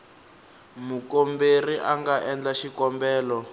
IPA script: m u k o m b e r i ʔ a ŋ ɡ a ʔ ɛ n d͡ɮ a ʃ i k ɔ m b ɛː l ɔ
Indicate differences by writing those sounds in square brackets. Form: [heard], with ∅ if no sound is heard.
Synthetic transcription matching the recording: m u k o m b e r i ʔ a ŋ ɡ a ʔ ɛ n d͡ɮ a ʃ i k ɔ m b ɛː l ɔ